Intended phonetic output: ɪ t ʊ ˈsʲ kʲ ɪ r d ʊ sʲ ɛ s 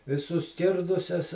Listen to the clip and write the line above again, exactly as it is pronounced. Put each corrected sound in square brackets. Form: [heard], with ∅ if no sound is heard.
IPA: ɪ [s] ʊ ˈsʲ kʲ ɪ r d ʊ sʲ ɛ s

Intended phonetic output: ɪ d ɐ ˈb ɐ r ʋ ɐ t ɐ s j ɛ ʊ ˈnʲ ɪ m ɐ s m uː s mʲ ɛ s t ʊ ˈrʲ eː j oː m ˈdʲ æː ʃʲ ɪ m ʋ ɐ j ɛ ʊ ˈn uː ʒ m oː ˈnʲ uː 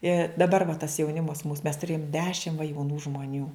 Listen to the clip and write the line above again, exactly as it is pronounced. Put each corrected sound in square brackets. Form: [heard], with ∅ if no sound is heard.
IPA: ɪ d ɐ ˈb ɐ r ʋ ɐ t ɐ s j ɛ ʊ ˈnʲ ɪ m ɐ s m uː s mʲ ɛ s t ʊ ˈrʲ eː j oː m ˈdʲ æː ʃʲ ɪ m ʋ ɐ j ɛ ʊ ˈn uː ʒ m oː ˈnʲ uː

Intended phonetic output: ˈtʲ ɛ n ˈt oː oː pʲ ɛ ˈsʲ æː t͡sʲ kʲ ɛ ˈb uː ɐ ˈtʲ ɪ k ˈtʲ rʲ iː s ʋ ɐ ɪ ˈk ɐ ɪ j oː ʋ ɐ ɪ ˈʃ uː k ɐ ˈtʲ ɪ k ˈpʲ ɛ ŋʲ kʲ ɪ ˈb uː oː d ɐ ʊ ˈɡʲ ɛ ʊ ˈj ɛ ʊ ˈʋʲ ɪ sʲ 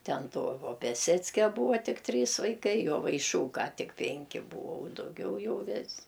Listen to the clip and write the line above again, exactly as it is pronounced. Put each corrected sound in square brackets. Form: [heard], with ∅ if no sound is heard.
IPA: ˈtʲ ɛ n ˈt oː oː pʲ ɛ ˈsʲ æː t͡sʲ kʲ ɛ ˈb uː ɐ ˈtʲ ɪ k ˈtʲ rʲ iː s ʋ ɐ ɪ ˈk ɐ ɪ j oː ʋ ɐ ɪ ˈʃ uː k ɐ ˈtʲ ɪ k ˈpʲ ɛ ŋʲ kʲ ɪ ˈb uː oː d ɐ ʊ ˈɡʲ ɛ ʊ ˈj ɛ ʊ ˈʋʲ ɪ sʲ

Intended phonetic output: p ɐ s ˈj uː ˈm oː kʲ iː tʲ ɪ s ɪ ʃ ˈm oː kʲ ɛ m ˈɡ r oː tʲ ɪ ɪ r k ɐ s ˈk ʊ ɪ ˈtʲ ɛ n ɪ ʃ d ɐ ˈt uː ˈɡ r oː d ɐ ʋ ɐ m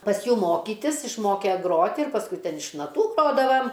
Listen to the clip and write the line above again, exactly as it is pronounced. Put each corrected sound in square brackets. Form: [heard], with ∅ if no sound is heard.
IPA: p ɐ s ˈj uː ˈm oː kʲ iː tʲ ɪ s ɪ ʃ ˈm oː kʲ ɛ [∅] ˈɡ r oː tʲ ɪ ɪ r [p] ɐ s ˈk ʊ ɪ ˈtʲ ɛ n ɪ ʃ [n] ɐ ˈt uː ˈɡ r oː d ɐ ʋ ɐ m

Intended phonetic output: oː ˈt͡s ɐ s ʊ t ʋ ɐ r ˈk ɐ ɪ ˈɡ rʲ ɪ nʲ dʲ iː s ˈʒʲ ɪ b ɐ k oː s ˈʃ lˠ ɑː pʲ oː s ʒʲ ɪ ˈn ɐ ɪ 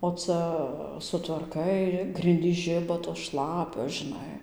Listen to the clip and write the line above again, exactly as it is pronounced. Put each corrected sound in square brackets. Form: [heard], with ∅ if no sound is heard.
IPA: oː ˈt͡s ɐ s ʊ t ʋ ɐ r ˈk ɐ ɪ ˈɡ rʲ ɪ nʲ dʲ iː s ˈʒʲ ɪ b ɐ [t] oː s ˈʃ lˠ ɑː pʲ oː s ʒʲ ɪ ˈn ɐ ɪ

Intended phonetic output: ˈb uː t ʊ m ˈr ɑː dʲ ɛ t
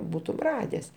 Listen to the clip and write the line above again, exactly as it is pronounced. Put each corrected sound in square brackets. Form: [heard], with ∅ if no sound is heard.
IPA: ˈb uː t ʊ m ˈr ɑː dʲ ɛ [s]

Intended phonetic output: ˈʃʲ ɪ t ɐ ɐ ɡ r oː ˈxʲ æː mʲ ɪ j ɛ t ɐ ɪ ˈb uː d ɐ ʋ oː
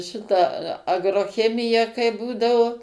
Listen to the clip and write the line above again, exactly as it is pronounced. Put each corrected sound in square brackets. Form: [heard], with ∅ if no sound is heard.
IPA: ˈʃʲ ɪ t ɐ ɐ ɡ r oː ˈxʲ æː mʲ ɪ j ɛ [k] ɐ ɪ ˈb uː d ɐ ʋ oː

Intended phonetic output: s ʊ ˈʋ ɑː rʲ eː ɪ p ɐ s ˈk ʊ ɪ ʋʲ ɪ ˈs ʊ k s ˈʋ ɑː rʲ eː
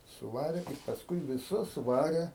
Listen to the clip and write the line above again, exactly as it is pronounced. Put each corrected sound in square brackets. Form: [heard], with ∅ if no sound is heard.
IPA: s ʊ ˈʋ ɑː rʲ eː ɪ p ɐ s ˈk ʊ ɪ ʋʲ ɪ ˈs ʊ [∅] s ˈʋ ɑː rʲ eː

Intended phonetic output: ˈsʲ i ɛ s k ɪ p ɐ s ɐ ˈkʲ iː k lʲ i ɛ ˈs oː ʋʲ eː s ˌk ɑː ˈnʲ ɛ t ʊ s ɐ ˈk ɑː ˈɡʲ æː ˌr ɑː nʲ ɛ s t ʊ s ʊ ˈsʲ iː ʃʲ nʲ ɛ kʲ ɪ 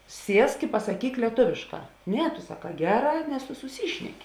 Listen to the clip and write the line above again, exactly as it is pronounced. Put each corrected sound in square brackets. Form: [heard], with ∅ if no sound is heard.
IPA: ˈsʲ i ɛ s k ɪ p ɐ s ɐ ˈkʲ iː k lʲ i ɛ [ˈt] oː ʋʲ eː [ʃ] ˌk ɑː ˈnʲ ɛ t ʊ s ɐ ˈk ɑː ˈɡʲ æː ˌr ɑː nʲ ɛ s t ʊ s ʊ ˈsʲ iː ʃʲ nʲ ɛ kʲ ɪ

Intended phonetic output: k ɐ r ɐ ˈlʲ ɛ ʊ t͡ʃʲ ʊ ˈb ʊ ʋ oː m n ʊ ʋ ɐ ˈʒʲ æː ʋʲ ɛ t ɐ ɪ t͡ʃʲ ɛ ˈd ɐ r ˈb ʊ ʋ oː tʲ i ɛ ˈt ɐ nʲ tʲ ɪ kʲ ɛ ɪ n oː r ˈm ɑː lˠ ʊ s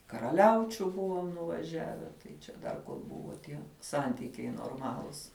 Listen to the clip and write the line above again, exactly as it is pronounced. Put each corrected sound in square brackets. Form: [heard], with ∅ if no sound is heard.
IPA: k ɐ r ɐ ˈlʲ ɛ ʊ t͡ʃʲ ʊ ˈb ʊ ʋ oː m n ʊ ʋ ɐ ˈʒʲ æː ʋʲ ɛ t ɐ ɪ t͡ʃʲ ɛ ˈd ɐ r ˈb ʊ ʋ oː tʲ i ɛ [ˈs] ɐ nʲ tʲ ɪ kʲ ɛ ɪ n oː r ˈm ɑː lˠ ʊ s

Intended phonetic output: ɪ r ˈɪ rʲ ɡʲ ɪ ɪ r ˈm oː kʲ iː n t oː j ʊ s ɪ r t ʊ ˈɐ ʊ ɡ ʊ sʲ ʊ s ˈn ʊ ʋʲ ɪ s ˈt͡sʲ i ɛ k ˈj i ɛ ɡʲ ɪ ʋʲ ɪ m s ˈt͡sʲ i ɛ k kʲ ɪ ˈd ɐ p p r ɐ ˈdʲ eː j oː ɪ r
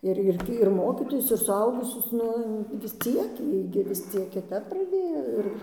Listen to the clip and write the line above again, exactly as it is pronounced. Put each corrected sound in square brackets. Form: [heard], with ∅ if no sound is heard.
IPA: ɪ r ˈɪ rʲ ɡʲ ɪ ɪ r ˈm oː kʲ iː [∅] t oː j ʊ s ɪ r [s] ʊ ˈɐ ʊ ɡ ʊ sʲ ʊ s ˈn ʊ ʋʲ ɪ s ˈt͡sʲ i ɛ k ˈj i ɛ ɡʲ ɪ ʋʲ ɪ [∅] s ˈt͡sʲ i ɛ k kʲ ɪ [ˈt] ɐ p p r ɐ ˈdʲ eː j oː ɪ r

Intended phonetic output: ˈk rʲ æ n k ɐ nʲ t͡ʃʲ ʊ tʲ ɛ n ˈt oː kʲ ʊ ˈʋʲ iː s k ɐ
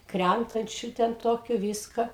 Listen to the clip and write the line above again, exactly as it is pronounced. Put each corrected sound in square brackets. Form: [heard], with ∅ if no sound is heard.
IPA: ˈk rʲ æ n [t] ɐ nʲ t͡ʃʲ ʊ tʲ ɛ n ˈt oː kʲ ʊ ˈʋʲ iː s k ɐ

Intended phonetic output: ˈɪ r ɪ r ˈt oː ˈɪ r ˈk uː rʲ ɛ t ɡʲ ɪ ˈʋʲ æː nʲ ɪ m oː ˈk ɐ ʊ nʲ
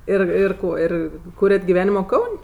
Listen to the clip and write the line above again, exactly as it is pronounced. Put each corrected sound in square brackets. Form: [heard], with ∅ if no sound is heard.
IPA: ˈɪ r ɪ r [ˈk] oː ˈɪ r ˈk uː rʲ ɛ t ɡʲ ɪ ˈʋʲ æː nʲ ɪ m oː ˈk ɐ ʊ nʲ

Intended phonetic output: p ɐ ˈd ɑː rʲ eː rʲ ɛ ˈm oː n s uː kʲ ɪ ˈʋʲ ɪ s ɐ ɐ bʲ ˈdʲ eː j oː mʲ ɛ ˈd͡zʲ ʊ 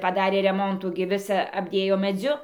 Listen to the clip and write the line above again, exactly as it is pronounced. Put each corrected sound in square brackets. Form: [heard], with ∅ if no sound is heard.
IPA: p ɐ ˈd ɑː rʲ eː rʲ ɛ ˈm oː n [t] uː [ɡʲ] ɪ ˈʋʲ ɪ s ɐ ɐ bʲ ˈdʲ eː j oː mʲ ɛ ˈd͡zʲ ʊ

